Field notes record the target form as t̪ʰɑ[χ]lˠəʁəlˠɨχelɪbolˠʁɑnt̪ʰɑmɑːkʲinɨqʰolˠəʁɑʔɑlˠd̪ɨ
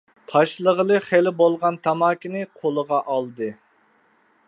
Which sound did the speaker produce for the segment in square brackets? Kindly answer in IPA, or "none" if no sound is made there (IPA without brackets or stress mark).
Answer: ʃ